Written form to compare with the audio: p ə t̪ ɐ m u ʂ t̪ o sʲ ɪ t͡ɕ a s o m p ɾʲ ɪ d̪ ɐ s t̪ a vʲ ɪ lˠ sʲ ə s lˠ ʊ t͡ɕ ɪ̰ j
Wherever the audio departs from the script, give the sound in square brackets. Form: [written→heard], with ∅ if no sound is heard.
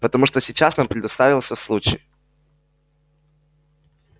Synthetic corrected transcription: p ə t̪ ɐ m u ʂ t̪ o sʲ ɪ t͡ɕ a s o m p ɾʲ ɪ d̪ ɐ s t̪ a vʲ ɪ lˠ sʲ ə s lˠ [ʊ→u] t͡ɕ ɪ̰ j